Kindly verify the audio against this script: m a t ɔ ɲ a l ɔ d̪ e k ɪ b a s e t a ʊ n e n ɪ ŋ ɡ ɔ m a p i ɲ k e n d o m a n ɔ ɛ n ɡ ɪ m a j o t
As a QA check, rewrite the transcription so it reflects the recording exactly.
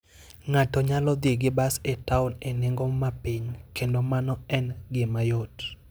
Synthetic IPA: ŋ a t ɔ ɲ a l ɔ d̪ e ɡ ɪ b a s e t a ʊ n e n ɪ ŋ ɡ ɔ m a p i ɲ k e n d o m a n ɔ ɛ n ɡ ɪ m a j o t